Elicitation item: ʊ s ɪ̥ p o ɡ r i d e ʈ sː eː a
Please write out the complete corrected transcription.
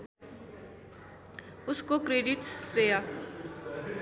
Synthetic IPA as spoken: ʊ s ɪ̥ k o k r e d i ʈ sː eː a